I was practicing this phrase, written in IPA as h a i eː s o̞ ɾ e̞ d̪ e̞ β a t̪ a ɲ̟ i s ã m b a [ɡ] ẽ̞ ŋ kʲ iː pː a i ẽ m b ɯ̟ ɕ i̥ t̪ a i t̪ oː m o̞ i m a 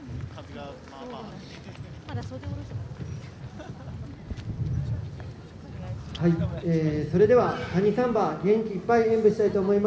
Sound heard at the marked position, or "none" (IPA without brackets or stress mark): ɡ